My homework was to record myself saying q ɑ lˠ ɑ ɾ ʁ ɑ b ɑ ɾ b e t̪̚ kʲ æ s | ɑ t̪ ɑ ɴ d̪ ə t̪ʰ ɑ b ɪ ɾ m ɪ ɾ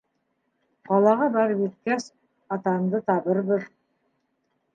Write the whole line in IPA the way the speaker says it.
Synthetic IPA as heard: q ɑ lˠ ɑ ʁ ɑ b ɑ ɾ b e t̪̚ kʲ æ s | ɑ t̪ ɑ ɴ d̪ ə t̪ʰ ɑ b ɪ ɾ b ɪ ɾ